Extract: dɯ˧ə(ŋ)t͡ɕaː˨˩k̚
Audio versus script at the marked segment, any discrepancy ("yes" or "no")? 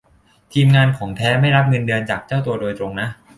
yes